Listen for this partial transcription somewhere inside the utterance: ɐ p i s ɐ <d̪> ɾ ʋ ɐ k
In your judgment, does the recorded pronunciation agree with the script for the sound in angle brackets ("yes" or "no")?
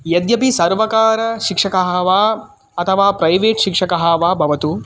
no